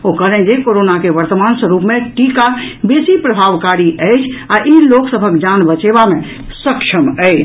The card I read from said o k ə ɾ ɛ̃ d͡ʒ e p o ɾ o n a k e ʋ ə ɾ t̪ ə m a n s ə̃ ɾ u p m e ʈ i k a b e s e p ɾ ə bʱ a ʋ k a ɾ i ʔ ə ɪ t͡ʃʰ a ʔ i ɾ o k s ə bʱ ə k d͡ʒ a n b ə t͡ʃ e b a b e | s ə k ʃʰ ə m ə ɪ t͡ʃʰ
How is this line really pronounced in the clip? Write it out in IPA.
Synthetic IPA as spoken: o k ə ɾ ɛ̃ d͡ʒ e k o ɾ o n a k e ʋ ə ɾ t̪ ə m a n s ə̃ ɾ u p m e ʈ i k a b e s i p ɾ ə bʱ a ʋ k a ɾ i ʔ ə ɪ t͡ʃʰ a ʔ i l o k s ə bʱ ə k d͡ʒ a n b ə t͡ʃ e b a m e | s ə k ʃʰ ə m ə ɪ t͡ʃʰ